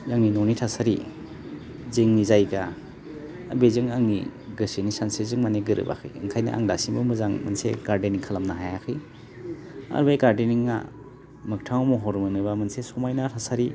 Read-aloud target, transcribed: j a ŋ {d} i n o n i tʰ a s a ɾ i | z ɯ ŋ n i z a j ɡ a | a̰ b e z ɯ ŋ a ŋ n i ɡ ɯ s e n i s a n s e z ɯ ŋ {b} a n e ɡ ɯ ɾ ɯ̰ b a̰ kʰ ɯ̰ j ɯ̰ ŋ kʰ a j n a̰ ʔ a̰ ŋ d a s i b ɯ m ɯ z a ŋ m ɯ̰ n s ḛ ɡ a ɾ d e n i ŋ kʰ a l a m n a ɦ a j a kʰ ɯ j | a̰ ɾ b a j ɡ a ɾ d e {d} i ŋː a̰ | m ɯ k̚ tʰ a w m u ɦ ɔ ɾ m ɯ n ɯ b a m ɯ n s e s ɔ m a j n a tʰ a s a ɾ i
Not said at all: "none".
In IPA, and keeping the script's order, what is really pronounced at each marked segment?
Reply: n, m, n

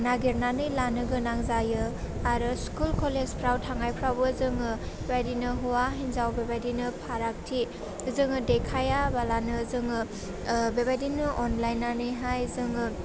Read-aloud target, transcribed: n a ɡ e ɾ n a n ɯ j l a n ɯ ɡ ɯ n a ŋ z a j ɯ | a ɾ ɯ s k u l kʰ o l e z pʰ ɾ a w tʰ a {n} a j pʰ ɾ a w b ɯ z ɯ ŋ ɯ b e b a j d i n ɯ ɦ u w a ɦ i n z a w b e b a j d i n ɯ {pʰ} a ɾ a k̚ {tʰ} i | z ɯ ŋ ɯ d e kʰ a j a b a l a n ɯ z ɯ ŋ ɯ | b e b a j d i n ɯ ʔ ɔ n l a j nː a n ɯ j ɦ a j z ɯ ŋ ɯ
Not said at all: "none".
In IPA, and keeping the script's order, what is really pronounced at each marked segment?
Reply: ŋ, pʰ, tʰ

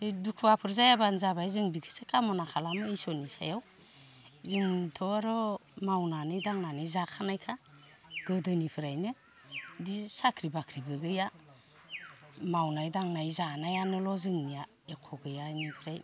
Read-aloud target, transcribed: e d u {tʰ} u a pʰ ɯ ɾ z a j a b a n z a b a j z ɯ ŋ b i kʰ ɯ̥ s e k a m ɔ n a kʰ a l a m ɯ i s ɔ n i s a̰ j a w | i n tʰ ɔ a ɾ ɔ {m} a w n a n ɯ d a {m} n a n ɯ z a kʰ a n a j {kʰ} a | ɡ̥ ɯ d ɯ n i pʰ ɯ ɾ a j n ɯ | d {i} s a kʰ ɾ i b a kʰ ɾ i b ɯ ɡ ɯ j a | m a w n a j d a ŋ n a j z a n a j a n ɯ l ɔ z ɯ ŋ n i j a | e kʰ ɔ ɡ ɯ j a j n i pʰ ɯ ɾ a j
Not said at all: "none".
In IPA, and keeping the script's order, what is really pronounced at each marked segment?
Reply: kʰ, m, ŋ, kʰ, i

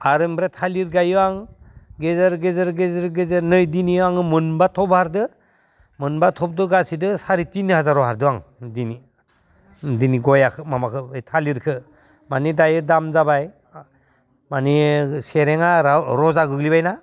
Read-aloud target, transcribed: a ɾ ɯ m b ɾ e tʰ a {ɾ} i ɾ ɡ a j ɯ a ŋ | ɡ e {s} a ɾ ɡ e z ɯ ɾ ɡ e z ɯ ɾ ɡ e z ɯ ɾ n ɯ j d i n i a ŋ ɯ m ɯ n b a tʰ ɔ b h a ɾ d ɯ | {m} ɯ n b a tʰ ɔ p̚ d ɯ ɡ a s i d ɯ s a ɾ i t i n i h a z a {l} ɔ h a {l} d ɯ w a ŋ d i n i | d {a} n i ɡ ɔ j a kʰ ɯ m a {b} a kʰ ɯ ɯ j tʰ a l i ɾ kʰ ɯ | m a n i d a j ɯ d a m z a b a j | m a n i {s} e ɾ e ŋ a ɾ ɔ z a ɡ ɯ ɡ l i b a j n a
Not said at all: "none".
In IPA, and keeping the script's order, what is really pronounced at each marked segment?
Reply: l, z, m, ɾ, ɾ, i, m, s

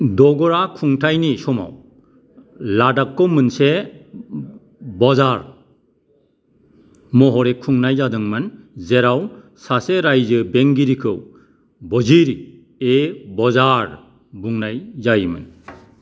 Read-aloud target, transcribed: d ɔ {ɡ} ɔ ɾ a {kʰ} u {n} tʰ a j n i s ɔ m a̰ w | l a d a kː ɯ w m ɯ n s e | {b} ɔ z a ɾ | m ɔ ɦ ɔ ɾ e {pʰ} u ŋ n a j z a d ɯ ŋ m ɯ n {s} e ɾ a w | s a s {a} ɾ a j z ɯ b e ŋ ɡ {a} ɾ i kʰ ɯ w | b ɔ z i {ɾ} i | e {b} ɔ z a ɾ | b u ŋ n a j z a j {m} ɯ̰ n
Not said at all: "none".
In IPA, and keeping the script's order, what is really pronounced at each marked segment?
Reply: ɡ, kʰ, ŋ, b, kʰ, z, e, i, ɾ, b, m

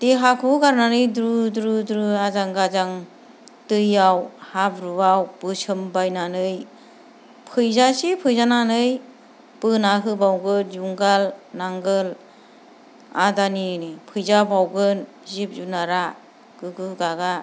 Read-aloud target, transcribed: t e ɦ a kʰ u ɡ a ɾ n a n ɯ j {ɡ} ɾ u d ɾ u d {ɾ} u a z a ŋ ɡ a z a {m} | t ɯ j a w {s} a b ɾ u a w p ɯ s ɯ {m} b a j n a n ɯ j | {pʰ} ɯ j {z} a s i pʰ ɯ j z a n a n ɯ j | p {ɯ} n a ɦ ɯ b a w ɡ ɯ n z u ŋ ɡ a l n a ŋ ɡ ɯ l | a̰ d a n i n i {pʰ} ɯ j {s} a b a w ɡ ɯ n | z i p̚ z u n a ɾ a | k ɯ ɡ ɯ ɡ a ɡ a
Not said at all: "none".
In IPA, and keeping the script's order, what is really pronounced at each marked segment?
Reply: d, ɾ, ŋ, h, m, pʰ, z, ɯ, pʰ, z

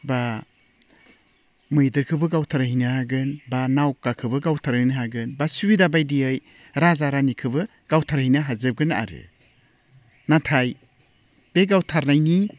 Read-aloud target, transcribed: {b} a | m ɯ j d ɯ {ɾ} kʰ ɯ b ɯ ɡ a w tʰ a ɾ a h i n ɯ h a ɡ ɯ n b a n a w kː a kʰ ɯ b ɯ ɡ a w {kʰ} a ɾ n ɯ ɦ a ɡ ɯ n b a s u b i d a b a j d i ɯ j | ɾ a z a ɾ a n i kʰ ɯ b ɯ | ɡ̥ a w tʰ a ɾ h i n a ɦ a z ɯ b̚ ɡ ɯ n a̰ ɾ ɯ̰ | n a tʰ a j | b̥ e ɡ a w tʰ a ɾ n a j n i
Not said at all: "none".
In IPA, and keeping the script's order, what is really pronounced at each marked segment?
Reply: b, ɾ, tʰ

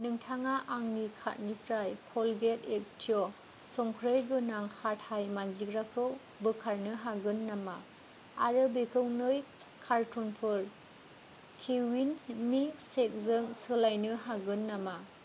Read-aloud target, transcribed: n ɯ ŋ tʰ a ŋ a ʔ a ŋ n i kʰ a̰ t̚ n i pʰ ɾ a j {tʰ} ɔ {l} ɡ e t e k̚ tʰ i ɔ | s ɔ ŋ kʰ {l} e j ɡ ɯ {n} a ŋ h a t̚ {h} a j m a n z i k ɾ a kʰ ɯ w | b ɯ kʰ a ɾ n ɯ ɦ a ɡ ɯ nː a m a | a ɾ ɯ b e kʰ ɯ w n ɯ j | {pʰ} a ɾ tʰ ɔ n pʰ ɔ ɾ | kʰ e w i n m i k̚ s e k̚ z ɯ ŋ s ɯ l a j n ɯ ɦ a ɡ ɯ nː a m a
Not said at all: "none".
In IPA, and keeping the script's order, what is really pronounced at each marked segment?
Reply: kʰ, l, ɾ, n, h, kʰ

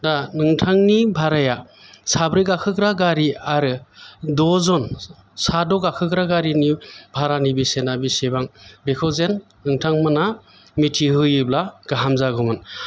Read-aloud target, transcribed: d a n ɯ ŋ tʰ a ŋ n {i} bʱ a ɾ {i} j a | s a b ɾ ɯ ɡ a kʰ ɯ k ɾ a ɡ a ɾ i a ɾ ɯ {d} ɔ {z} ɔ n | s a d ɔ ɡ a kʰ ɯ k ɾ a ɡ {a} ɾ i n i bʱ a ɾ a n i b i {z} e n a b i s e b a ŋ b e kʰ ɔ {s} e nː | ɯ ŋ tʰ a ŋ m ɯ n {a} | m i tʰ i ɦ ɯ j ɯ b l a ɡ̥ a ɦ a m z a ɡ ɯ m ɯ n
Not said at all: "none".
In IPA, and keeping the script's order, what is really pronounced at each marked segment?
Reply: i, a, d, z, a, s, z, a

